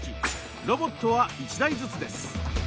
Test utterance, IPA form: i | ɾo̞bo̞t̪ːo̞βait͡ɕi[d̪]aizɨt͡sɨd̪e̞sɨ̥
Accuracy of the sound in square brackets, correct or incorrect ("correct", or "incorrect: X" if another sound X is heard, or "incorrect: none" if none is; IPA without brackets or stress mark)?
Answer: correct